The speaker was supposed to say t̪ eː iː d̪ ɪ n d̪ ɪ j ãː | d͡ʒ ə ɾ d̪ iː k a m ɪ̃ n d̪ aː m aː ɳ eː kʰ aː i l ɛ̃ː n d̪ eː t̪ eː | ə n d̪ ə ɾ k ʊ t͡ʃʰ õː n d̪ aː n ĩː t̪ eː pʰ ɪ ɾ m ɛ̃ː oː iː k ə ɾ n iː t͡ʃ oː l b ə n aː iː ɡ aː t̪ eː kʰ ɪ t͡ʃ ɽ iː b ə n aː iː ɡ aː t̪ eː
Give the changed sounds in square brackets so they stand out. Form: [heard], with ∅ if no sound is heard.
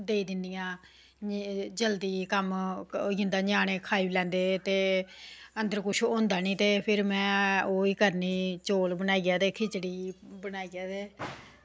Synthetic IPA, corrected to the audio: [d̪] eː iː d̪ ɪ n d̪ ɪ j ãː | d͡ʒ ə [l] d̪ iː k [ə] m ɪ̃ n d̪ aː [ɲ] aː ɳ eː kʰ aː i l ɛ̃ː n d̪ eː t̪ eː | ə n d̪ ə ɾ k ʊ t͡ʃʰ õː n d̪ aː n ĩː t̪ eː pʰ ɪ ɾ m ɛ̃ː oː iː k ə ɾ n iː t͡ʃ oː l b ə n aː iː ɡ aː t̪ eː kʰ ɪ t͡ʃ ɽ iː b ə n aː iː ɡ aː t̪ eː